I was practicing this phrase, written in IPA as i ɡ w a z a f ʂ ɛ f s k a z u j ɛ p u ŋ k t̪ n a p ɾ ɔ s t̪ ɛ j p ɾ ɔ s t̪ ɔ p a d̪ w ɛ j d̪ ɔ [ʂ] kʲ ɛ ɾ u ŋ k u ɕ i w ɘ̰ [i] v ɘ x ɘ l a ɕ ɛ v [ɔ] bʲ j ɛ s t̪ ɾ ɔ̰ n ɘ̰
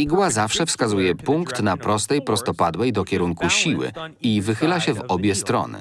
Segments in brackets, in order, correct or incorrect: incorrect: none, correct, correct

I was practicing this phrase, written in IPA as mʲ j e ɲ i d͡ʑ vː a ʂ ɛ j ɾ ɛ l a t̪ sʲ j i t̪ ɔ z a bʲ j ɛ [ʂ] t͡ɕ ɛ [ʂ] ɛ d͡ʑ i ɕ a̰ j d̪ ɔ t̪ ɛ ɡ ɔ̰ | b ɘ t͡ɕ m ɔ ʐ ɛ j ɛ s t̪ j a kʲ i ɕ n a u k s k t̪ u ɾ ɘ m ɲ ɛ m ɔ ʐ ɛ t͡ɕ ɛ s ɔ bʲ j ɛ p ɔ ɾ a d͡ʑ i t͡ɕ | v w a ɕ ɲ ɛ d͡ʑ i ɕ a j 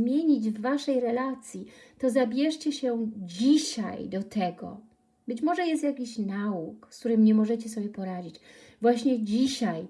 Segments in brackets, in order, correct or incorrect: correct, incorrect: ɕ

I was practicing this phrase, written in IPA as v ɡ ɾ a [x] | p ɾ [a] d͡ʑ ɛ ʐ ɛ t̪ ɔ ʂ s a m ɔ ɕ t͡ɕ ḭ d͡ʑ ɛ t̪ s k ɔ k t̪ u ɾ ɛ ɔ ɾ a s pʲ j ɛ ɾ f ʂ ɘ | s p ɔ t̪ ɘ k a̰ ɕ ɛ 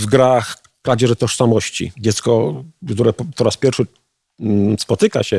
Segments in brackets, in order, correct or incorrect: correct, correct

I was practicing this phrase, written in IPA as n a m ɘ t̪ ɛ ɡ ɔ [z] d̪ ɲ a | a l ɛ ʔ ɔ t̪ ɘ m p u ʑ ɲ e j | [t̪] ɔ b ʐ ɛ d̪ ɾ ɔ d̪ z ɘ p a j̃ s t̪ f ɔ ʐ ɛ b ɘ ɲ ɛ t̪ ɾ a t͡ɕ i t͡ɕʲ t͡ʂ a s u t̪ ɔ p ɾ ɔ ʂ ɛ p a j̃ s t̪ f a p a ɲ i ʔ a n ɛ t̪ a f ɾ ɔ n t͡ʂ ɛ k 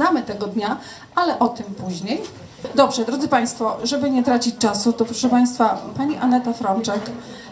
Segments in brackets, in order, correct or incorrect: incorrect: none, incorrect: d̪

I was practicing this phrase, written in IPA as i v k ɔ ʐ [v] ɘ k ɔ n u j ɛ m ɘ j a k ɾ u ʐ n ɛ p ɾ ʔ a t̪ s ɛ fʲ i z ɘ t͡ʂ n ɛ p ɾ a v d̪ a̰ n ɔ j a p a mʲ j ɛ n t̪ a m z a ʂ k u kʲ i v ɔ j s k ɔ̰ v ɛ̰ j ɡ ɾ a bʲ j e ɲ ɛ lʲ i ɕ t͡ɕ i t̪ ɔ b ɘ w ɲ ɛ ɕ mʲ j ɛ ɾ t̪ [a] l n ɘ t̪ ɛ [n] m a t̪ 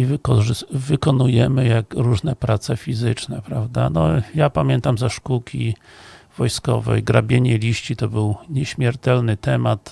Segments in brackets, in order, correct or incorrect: correct, incorrect: ɛ, incorrect: none

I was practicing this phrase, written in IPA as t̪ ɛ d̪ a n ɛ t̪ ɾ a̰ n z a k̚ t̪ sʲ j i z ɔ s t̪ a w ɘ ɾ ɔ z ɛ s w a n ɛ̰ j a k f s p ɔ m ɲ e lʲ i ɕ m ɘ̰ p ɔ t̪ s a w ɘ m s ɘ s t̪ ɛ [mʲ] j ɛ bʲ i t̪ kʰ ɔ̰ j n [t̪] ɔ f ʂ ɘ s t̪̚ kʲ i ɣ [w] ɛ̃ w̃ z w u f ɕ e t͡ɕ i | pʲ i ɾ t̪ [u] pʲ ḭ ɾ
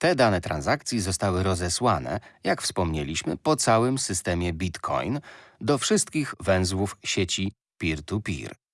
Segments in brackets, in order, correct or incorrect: correct, incorrect: d̪, incorrect: v, correct

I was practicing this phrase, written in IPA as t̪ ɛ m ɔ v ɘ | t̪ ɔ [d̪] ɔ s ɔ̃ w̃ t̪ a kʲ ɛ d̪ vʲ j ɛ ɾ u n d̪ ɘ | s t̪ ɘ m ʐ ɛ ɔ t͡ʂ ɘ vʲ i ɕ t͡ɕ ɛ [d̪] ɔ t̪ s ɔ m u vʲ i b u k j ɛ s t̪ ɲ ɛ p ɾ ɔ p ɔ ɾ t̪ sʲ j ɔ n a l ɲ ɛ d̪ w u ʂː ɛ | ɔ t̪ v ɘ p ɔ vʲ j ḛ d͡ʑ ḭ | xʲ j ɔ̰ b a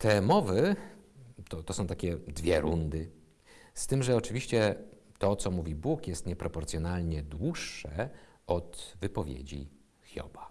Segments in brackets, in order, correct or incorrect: incorrect: t̪, incorrect: t̪

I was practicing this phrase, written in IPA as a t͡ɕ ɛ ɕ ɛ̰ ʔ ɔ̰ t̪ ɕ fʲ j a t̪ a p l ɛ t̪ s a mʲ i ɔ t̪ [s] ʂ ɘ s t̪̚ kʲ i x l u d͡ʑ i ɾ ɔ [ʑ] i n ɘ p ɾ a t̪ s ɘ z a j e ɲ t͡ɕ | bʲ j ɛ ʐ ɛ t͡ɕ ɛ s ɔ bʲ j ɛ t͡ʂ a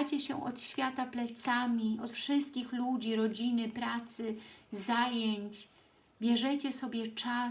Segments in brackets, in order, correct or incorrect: incorrect: f, incorrect: d͡ʑ

